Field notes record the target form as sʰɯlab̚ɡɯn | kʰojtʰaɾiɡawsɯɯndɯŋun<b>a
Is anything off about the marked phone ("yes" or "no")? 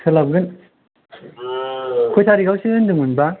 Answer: no